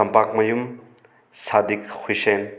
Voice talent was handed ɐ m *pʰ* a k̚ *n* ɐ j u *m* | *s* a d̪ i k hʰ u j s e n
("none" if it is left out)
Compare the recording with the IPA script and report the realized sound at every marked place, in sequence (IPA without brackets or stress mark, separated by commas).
p, m, m, s